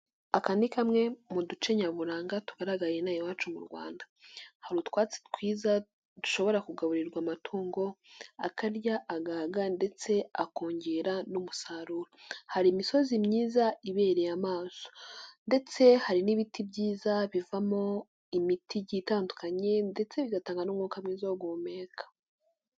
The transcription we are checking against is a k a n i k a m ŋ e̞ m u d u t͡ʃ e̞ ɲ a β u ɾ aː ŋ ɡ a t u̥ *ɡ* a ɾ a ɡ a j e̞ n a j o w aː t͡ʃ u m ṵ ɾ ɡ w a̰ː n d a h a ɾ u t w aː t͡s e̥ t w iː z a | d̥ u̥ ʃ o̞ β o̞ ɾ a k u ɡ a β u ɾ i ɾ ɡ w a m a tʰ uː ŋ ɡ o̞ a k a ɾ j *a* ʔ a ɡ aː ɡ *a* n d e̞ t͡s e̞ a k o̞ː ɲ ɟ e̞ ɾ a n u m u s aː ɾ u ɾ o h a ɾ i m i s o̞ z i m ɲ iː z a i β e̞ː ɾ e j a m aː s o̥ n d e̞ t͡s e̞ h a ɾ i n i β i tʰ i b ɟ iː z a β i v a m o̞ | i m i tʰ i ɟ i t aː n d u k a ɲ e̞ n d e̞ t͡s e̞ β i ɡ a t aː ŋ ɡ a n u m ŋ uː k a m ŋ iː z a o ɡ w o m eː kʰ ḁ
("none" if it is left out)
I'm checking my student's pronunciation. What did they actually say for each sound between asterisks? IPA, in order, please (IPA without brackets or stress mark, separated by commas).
ɡ, a, a